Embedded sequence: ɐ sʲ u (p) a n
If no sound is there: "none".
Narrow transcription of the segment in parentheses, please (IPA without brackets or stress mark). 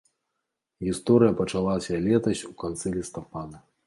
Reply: k